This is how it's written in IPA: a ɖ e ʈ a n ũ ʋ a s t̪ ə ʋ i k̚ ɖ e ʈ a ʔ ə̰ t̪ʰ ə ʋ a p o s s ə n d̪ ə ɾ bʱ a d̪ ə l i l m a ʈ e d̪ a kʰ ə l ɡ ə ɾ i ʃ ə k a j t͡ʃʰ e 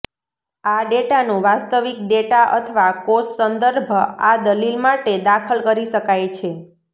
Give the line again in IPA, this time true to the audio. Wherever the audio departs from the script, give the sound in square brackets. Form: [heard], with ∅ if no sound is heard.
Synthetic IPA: a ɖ e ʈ a n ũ ʋ a s t̪ ə ʋ i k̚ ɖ e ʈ a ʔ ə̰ t̪ʰ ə ʋ a [k] o s s ə n d̪ ə ɾ bʱ a d̪ ə l i l m a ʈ e d̪ a kʰ ə l [k] ə ɾ i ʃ ə k a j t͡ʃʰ e